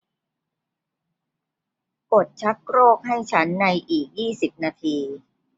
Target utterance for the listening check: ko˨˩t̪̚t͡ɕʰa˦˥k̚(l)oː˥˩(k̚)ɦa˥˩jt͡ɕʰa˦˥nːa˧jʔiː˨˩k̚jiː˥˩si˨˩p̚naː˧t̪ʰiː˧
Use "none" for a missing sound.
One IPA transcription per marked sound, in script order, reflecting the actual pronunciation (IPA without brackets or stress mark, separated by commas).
ɾ, k̚